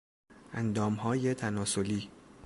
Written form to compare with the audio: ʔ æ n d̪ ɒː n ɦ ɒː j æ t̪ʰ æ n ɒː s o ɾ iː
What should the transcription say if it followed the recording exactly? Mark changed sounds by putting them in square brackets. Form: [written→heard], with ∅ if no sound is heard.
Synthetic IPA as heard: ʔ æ n d̪ ɒː [n→m] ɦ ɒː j [æ→e] t̪ʰ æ n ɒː s o [ɾ→l] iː